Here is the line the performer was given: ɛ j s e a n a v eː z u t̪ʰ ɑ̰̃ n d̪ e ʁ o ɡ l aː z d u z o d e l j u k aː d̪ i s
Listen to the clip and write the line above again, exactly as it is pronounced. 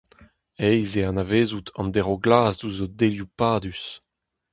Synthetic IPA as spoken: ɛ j z e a n a v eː z u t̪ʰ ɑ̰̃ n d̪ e ʁ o ɡ l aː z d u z o d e l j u p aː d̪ y s

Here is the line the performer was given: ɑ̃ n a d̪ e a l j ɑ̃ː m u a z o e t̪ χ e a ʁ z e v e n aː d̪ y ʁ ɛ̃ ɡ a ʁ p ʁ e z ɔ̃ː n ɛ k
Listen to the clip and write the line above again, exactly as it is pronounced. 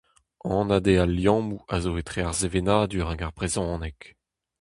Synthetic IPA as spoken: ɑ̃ n a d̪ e a l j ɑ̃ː m u a z o e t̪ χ e a ʁ z e v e n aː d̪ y ʁ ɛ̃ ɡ a ʁ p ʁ e z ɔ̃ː n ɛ k

